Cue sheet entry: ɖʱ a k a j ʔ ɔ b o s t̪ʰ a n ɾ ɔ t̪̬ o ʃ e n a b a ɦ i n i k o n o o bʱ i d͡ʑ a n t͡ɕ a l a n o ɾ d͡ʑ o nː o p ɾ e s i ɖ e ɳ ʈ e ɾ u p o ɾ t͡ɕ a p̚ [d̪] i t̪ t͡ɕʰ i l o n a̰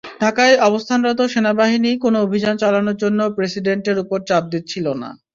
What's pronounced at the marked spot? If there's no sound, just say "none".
d̪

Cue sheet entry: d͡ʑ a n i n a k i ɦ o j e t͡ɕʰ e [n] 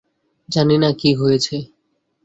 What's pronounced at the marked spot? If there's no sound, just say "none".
none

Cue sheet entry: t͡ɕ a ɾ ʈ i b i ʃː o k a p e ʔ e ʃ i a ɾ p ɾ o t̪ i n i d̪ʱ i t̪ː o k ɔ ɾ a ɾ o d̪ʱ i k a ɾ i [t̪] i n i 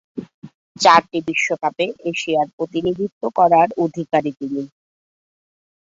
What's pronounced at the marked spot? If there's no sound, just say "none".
t̪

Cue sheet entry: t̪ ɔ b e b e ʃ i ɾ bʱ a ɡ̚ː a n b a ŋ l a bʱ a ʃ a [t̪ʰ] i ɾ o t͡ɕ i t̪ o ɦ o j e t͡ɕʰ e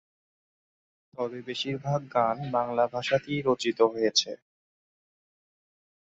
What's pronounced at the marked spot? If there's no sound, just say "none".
t̪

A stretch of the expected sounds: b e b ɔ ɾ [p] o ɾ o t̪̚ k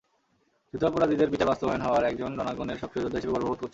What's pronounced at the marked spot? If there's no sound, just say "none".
b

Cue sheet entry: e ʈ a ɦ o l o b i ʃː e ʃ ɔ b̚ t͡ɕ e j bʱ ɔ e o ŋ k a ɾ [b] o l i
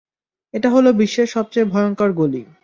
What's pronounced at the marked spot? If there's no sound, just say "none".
ɡ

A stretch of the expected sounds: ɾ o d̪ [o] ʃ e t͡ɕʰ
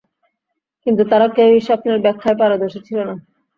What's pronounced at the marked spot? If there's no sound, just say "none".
o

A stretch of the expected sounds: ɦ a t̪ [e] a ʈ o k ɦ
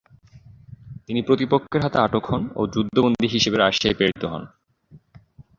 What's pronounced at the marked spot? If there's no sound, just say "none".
e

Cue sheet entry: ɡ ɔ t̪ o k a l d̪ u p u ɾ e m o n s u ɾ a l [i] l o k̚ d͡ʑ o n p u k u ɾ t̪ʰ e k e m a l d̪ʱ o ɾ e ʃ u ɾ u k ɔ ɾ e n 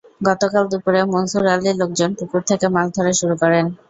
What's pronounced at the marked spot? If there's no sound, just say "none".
i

